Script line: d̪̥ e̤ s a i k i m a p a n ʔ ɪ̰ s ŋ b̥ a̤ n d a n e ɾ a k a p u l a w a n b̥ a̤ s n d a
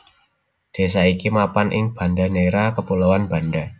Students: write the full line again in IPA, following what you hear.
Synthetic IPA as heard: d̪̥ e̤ s a i k i m a p a n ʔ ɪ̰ ŋ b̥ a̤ n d a n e ɾ a k ə p u l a w a n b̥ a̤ n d a